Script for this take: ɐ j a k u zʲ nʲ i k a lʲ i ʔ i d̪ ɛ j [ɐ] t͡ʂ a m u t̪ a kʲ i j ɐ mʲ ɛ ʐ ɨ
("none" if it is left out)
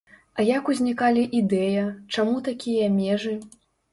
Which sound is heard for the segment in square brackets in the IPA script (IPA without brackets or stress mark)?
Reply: ɐ